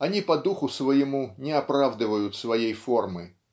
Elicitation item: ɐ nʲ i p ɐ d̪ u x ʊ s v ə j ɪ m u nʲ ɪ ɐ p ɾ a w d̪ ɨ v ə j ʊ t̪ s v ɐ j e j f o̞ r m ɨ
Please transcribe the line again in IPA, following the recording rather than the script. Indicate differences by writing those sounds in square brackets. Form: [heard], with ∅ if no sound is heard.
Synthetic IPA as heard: ɐ nʲ i p ɐ d̪ u x ʊ s v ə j ɪ m u nʲ ɪ ɐ p ɾ a [v] d̪ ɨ v ə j ʊ t̪ s v ɐ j e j f o̞ r m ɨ